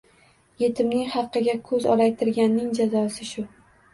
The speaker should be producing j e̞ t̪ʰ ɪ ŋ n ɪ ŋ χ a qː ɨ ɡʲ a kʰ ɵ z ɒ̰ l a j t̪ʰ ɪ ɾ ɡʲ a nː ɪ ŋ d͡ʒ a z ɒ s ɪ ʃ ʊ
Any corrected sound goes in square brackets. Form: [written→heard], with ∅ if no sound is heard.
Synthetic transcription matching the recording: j e̞ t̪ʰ ɪ [ŋ→m] n ɪ ŋ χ [a→ɑ] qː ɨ ɡʲ a kʰ ɵ z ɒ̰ l a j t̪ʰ ɪ ɾ ɡʲ a nː ɪ ŋ d͡ʒ a z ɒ s ɪ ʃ ʊ